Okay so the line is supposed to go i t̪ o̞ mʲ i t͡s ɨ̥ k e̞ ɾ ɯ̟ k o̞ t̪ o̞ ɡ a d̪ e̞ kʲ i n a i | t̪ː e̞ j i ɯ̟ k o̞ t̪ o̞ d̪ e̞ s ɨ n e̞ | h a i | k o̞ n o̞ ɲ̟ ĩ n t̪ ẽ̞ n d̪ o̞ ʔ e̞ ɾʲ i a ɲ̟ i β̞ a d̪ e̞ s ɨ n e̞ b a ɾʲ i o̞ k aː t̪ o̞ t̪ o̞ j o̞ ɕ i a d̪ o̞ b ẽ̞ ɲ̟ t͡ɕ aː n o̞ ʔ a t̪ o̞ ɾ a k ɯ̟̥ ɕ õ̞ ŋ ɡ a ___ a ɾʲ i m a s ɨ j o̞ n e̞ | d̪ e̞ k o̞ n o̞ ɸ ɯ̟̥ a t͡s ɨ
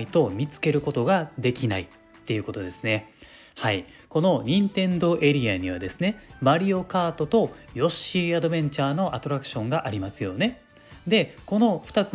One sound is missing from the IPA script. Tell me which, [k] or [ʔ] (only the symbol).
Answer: ʔ